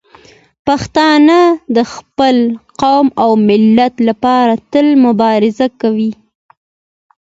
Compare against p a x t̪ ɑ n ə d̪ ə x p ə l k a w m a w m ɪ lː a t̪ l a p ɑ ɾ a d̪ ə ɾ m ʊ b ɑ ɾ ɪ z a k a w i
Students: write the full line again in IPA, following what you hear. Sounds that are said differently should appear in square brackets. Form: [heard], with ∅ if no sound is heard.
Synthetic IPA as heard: p a x t̪ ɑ n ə d̪ ə x p ə l [q] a w m a w m ɪ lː a t̪ l a p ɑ ɾ a [t̪] ə [l] m ʊ b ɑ ɾ ɪ z a k a w i